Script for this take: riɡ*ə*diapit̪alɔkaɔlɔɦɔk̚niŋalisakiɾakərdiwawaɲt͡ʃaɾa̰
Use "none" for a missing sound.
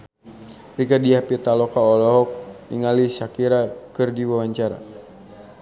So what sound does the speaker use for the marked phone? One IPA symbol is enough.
a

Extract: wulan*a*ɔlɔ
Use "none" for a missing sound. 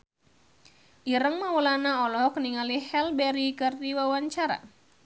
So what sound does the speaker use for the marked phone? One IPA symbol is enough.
a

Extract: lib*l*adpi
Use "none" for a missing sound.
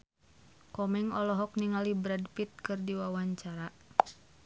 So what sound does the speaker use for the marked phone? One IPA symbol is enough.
ɾ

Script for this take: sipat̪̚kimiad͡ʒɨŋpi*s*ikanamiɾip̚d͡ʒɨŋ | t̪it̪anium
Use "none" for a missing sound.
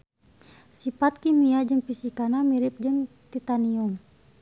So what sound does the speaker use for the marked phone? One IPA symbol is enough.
s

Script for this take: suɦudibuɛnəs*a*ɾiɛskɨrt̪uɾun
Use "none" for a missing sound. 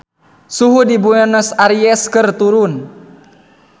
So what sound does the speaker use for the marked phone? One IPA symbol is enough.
a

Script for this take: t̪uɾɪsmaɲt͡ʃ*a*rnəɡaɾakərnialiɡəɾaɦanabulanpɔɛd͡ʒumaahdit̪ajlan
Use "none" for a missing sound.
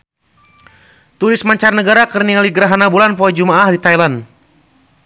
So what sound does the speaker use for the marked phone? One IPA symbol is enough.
a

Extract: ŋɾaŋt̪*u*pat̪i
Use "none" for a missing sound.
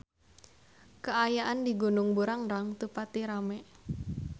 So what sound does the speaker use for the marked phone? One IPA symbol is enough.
u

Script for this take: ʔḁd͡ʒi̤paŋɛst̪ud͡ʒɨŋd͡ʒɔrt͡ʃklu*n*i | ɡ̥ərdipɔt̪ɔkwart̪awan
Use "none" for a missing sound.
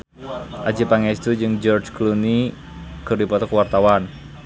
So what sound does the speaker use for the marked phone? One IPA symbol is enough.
n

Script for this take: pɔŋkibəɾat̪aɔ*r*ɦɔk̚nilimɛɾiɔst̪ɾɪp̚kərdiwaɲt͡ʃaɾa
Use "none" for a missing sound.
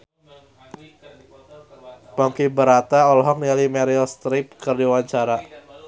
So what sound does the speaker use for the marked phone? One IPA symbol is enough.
l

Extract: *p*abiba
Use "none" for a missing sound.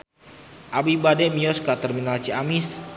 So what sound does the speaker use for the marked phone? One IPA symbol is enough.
ʔ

